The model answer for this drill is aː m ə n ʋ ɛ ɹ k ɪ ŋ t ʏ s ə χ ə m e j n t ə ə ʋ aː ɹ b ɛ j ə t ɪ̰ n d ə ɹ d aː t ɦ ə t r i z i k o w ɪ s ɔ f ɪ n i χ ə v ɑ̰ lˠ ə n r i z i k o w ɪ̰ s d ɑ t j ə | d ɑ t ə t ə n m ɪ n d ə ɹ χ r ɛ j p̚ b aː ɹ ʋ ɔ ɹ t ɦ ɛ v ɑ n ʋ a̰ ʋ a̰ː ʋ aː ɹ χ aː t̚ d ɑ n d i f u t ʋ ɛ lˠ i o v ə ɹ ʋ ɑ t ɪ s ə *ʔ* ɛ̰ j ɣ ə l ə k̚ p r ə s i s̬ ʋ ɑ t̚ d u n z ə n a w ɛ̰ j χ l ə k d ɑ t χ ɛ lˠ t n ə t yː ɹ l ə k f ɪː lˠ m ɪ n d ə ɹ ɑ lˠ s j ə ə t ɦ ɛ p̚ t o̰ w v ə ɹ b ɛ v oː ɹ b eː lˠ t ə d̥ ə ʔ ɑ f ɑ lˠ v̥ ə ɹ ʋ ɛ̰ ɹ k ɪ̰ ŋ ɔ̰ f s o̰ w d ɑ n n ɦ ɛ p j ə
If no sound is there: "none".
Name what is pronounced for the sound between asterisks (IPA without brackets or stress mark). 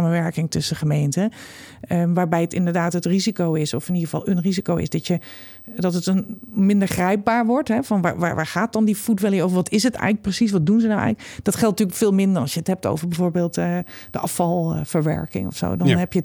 t